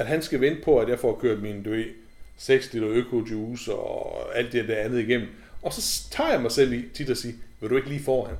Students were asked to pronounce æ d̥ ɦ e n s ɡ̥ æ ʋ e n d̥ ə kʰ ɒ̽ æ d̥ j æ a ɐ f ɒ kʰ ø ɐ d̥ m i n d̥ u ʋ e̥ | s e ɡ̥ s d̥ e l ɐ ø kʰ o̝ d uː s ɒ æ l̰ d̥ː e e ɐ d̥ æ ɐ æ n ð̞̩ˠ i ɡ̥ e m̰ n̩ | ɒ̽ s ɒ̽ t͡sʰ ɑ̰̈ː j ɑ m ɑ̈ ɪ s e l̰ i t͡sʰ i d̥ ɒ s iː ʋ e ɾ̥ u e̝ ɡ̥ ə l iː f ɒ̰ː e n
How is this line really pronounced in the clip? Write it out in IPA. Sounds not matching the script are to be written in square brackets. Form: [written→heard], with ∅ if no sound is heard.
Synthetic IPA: æ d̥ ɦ [e→æ] n s ɡ̥ æ ʋ e n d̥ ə [kʰ→pʰ] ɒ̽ æ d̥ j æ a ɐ f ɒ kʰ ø ɐ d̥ m i n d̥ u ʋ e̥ | s e ɡ̥ s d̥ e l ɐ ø kʰ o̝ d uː s ɒ æ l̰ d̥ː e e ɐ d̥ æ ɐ æ n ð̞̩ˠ i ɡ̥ e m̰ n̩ | ɒ̽ s ɒ̽ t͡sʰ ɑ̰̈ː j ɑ m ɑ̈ ɪ s e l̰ i t͡sʰ i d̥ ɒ s iː ʋ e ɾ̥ u e̝ ɡ̥ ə l iː f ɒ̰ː [e→æ] n